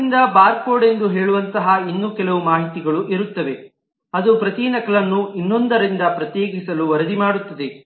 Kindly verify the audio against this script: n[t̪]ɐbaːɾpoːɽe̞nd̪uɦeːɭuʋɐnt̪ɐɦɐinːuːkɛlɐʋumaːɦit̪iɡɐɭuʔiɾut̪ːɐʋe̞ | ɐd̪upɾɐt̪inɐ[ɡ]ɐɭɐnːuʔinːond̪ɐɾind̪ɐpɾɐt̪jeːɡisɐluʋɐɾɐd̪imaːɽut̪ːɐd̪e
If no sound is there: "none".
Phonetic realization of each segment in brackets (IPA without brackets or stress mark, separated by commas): d̪, k